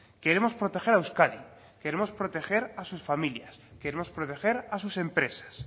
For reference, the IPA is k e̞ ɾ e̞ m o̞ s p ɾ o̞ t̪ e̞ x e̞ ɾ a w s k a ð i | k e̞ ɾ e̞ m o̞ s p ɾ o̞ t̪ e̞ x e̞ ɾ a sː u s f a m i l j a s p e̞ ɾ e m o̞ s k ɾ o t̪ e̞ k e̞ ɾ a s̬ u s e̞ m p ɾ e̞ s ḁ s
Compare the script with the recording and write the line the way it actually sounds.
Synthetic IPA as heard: k e̞ ɾ e̞ m o̞ s p ɾ o̞ t̪ e̞ x e̞ ɾ a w s k a ð i | k e̞ ɾ e̞ m o̞ s p ɾ o̞ t̪ e̞ x e̞ ɾ a s u s f a m i l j a s k e̞ ɾ e m o̞ s p ɾ o t̪ e̞ x e̞ ɾ a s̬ u s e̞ m p ɾ e̞ s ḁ s